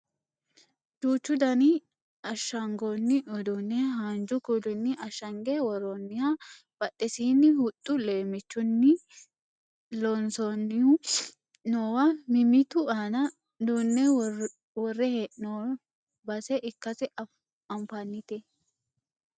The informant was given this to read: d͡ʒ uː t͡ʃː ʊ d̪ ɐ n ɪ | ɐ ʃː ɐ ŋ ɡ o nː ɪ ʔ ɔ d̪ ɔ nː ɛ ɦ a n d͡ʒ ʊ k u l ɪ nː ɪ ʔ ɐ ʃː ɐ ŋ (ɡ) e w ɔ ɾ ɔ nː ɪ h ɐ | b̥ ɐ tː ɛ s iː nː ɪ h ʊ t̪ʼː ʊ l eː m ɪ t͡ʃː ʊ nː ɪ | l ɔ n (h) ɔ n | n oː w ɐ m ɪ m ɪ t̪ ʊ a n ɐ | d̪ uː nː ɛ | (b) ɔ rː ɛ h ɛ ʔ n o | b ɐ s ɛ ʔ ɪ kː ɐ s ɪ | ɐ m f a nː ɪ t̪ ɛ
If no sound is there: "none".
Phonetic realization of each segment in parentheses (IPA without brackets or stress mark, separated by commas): ɡ, s, w